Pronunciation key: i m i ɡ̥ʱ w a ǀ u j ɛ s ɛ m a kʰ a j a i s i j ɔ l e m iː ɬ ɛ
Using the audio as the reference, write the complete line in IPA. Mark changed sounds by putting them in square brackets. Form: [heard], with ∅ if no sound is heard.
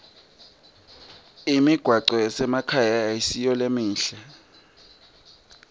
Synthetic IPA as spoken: i m i ɡ̥ʱ w a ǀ [ɔ] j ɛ s ɛ m a kʰ a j a i s i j ɔ l e m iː ɬ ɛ